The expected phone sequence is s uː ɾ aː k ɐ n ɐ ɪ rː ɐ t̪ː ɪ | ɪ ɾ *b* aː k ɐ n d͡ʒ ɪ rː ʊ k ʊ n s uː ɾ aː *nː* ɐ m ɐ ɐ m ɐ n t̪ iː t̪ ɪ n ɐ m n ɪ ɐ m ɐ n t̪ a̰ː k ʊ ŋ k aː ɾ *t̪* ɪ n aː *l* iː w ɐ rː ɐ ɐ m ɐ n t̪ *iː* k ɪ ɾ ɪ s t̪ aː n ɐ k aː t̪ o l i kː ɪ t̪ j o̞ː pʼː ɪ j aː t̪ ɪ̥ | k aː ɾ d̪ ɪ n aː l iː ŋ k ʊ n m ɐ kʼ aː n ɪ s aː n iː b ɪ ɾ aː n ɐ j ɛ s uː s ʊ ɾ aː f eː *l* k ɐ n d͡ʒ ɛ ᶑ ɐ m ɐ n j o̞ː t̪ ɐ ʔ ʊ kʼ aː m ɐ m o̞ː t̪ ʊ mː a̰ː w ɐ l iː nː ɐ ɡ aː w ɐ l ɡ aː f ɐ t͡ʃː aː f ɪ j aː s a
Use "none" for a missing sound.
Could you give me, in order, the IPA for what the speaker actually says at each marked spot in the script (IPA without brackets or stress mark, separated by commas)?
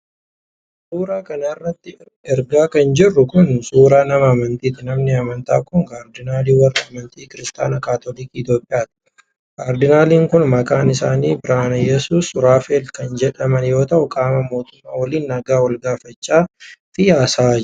ɡ, n, d̪, l, iː, l